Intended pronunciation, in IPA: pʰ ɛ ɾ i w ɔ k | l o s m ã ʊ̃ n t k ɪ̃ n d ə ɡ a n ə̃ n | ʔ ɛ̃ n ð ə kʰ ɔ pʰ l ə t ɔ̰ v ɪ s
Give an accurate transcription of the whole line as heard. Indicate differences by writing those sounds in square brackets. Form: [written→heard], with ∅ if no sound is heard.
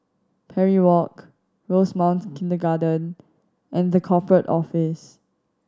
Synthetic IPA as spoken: pʰ ɛ [ɾ→ɹ] i w ɔ k | [l→ɹ] o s m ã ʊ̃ n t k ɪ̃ n d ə ɡ a [n→d] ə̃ n | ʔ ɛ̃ n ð ə kʰ ɔ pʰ [l→ɹ] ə t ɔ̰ [v→f] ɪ s